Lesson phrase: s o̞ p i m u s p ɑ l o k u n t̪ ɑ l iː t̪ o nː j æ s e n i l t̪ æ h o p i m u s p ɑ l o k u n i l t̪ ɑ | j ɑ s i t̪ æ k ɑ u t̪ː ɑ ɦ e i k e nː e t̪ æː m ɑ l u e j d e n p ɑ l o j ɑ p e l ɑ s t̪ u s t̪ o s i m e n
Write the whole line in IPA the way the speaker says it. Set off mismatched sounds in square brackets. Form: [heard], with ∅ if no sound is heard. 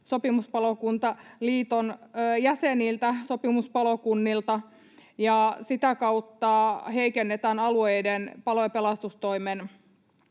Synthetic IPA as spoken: s o̞ p i m u s p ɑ l o k u n t̪ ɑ l iː t̪ o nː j æ s e n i l t̪ æ [s] o p i m u s p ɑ l o k u [nː] i l t̪ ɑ | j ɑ s i t̪ æ k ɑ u t̪ː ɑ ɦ e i k e nː e t̪ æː [n] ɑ l u e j d e n p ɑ l o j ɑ p e l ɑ s t̪ u s t̪ o [∅] i m e n